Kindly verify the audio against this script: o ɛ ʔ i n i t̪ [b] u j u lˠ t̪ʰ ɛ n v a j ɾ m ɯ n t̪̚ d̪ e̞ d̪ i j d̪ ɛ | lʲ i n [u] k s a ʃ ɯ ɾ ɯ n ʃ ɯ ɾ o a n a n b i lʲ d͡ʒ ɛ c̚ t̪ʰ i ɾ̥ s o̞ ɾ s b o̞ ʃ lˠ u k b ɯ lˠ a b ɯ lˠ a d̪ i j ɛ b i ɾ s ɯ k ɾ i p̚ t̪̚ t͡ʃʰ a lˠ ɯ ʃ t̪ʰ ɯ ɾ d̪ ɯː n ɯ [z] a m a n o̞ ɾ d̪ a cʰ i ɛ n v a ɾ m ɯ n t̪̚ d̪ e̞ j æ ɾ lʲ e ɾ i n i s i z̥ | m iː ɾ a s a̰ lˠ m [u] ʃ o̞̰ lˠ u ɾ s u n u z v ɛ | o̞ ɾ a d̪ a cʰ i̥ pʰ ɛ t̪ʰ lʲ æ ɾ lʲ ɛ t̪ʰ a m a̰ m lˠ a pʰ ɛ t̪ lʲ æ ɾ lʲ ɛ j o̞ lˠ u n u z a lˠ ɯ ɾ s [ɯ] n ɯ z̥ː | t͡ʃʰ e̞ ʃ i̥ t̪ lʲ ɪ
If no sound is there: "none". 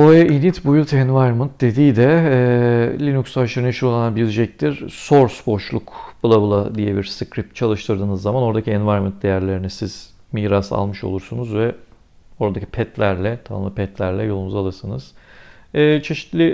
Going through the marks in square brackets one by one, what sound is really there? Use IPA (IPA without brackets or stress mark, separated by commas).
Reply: b, u, zː, ɯ, ɯ